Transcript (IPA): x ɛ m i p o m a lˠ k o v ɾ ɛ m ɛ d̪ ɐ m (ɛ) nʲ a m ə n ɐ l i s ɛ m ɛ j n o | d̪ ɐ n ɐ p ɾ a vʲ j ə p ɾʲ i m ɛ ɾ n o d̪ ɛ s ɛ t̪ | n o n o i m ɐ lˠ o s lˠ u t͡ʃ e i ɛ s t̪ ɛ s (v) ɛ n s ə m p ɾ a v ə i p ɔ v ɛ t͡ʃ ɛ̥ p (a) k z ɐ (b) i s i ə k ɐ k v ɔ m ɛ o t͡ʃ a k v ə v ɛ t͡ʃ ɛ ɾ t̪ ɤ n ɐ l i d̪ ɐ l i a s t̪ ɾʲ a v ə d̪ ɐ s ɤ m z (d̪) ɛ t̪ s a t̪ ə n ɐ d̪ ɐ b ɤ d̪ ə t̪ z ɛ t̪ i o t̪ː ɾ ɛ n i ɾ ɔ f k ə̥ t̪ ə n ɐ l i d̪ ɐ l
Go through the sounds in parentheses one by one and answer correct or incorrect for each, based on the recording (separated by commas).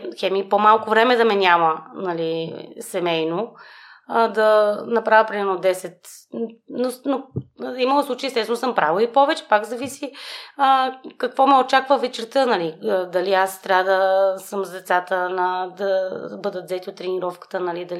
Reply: correct, correct, correct, incorrect, correct